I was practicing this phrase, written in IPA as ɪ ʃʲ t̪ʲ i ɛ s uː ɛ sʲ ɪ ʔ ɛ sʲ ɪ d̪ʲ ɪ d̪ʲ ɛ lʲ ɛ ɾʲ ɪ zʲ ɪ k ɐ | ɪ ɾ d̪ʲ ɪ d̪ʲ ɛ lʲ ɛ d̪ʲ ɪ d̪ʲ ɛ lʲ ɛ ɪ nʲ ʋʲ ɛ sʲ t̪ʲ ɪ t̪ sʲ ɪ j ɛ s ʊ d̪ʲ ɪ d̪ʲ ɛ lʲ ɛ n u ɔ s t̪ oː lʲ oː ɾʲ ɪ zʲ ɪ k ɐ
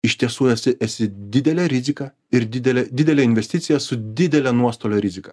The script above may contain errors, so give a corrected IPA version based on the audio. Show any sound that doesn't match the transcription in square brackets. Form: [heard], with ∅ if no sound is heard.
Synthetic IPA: ɪ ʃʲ t̪ʲ i ɛ s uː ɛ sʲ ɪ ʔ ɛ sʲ ɪ d̪ʲ ɪ d̪ʲ ɛ lʲ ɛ ɾʲ ɪ zʲ ɪ k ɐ | ɪ ɾ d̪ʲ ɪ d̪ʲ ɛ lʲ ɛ d̪ʲ ɪ d̪ʲ ɛ lʲ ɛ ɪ nʲ ʋʲ ɛ sʲ t̪ʲ ɪ t̪ sʲ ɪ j ɛ s ʊ d̪ʲ ɪ d̪ʲ ɛ lʲ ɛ n u ɔ s t̪ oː lʲ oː ɾʲ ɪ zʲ ɪ k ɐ